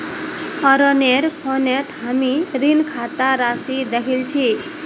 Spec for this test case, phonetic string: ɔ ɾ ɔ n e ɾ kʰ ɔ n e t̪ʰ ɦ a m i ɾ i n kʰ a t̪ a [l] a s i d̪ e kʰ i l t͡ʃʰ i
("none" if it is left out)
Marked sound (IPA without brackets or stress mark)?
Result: ɾ